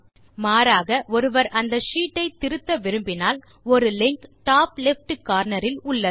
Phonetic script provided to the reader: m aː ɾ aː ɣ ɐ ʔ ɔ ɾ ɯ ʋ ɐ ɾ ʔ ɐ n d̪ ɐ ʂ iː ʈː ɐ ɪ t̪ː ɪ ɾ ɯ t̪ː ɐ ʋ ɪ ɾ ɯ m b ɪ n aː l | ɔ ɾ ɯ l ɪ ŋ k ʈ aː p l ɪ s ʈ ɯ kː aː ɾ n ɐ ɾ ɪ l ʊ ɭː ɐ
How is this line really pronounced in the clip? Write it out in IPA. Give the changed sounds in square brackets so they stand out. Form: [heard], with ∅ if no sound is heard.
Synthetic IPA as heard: m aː ɾ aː ɣ ɐ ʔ ɔ ɾ ɯ ʋ ɐ ɾ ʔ ɐ n d̪ ɐ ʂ iː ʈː ɐ ɪ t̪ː ɪ ɾ ɯ t̪ː ɐ ʋ ɪ ɾ ɯ m b ɪ n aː l | ɔ ɾ ɯ l ɪ ŋ k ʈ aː p l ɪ [f] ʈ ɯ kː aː ɾ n ɐ ɾ ɪ l ʊ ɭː ɐ